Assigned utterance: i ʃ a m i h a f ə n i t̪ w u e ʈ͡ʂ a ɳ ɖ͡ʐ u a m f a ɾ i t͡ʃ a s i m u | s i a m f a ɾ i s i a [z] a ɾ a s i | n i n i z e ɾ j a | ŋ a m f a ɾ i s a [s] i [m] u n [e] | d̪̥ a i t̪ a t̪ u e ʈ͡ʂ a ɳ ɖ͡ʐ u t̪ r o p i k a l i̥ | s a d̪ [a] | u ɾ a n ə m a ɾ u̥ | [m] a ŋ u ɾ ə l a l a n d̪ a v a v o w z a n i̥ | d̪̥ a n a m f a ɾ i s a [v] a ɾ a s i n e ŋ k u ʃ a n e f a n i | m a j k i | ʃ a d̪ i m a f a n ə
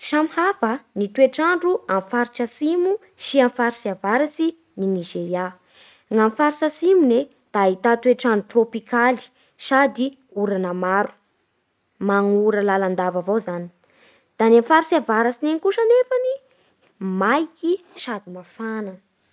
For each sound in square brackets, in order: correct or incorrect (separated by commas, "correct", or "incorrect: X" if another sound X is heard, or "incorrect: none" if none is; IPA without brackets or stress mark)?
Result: incorrect: v, correct, correct, correct, incorrect: i, correct, correct